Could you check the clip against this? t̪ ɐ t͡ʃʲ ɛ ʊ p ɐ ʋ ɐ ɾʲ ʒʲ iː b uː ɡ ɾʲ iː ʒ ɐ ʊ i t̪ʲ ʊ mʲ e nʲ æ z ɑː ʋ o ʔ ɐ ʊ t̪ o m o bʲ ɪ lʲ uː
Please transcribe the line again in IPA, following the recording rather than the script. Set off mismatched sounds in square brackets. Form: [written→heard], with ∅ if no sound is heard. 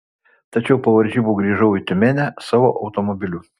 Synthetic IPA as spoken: t̪ ɐ t͡ʃʲ ɛ ʊ p ɐ ʋ ɐ ɾʲ ʒʲ iː b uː ɡ ɾʲ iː ʒ ɐ ʊ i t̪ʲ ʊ mʲ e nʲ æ [z→s] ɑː ʋ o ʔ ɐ ʊ t̪ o m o bʲ ɪ lʲ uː